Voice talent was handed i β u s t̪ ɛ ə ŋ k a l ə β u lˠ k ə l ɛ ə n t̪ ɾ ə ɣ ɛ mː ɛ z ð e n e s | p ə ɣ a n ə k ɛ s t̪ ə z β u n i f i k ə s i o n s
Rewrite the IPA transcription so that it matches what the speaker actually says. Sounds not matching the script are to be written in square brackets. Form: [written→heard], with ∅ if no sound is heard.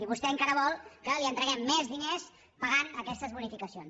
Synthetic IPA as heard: i β u s t̪ ɛ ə ŋ k a [l→ɾ] ə β [u→ɔ] lˠ k ə l [ɛ→i] ə n t̪ ɾ ə ɣ ɛ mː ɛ z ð [e→i] n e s | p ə ɣ a n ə k ɛ s t̪ ə z β u n i f i k ə s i o n s